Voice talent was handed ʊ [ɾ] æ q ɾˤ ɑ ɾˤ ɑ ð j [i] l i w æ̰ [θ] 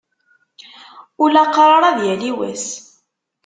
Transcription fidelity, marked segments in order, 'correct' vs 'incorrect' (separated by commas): incorrect, incorrect, incorrect